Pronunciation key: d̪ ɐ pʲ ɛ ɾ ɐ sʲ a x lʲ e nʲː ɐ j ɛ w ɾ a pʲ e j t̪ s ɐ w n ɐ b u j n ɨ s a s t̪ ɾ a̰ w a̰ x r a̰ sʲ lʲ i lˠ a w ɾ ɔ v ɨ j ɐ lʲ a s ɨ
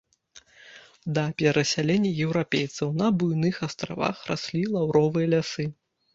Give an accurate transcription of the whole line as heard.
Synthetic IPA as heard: d̪ ɐ pʲ ɛ ɾ ɐ sʲ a lʲ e nʲː ɐ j ɛ w ɾ a pʲ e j t̪ s ɐ w n ɐ b u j n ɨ x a s t̪ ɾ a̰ v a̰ x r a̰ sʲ lʲ i lˠ a w ɾ ɔ v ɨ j ɐ lʲ a s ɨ